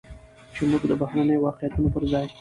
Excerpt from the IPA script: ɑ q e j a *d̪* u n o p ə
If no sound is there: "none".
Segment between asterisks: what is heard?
t̪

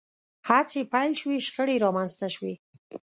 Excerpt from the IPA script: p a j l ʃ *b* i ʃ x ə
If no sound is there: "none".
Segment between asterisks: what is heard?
w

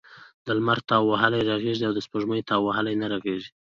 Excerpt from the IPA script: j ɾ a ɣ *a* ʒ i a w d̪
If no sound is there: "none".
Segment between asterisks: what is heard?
e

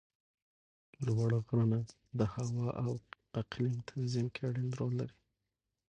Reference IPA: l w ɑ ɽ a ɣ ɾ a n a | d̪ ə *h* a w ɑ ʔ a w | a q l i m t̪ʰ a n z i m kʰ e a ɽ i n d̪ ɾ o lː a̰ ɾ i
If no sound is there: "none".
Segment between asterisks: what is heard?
h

